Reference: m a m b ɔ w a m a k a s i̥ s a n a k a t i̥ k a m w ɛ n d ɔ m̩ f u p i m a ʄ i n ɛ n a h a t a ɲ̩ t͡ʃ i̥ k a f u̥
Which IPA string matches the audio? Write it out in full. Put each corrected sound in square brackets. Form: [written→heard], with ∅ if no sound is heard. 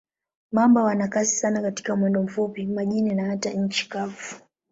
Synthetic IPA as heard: m a m b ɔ w a [m→n] a k a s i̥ s a n a k a t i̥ k a m w ɛ n d ɔ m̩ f u p i m a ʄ i n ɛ n a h a t a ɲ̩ t͡ʃ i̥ k a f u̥